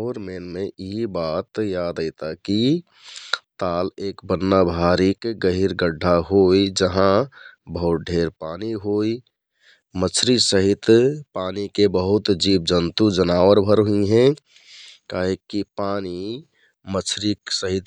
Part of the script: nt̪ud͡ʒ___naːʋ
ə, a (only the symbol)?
ə